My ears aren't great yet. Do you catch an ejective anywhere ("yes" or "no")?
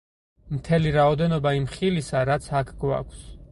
no